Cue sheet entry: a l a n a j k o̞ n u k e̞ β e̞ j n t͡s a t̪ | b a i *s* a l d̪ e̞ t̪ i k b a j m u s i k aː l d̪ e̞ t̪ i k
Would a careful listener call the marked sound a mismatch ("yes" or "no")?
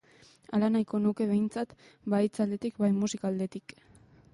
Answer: yes